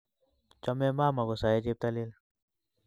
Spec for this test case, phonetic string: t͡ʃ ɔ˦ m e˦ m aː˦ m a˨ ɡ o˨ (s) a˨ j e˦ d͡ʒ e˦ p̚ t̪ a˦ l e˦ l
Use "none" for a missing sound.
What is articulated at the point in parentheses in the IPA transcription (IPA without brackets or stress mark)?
s